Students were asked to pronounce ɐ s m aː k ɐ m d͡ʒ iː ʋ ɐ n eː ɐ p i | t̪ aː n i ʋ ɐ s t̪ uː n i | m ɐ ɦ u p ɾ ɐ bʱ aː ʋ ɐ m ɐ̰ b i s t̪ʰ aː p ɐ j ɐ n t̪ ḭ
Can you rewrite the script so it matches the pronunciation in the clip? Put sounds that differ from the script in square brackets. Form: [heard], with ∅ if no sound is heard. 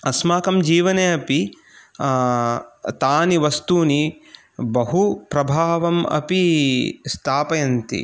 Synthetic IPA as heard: ɐ s m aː k ɐ m d͡ʒ iː ʋ ɐ n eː ɐ p i | t̪ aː n i ʋ ɐ s t̪ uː n i | [b] ɐ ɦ u p ɾ ɐ bʱ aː ʋ ɐ m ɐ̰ [p] i s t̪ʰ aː p ɐ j ɐ n t̪ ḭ